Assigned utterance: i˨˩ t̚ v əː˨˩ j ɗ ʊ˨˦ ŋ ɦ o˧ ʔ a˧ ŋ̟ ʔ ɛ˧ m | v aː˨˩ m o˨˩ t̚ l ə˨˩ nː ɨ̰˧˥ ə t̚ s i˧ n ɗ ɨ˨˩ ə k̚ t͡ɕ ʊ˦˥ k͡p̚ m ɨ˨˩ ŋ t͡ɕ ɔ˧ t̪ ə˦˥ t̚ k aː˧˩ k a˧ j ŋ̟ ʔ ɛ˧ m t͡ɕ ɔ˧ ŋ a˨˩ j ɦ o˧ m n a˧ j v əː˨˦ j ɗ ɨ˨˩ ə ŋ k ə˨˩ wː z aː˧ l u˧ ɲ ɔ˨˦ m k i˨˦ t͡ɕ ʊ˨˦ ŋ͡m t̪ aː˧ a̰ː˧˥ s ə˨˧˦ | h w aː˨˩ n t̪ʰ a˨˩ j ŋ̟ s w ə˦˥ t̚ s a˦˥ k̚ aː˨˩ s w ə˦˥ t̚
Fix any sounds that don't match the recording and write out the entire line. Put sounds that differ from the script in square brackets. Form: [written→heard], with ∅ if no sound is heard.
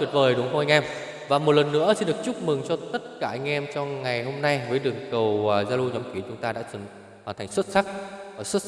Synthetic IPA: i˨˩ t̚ v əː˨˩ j ɗ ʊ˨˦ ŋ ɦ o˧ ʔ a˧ ŋ̟ ʔ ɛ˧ m | v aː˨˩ m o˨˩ t̚ l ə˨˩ nː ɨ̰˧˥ ə [t̚→∅] s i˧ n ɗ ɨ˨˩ ə k̚ t͡ɕ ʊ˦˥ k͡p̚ m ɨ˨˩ ŋ t͡ɕ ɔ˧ t̪ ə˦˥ t̚ k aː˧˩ [k→ʔ] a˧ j ŋ̟ ʔ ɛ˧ m t͡ɕ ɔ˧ ŋ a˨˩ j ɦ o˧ m n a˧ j v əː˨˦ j ɗ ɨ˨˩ ə ŋ k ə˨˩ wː z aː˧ l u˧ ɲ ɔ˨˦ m k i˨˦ t͡ɕ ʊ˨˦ ŋ͡m t̪ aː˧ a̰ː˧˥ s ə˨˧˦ | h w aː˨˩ n t̪ʰ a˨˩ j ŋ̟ s w ə˦˥ t̚ s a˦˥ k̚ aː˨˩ s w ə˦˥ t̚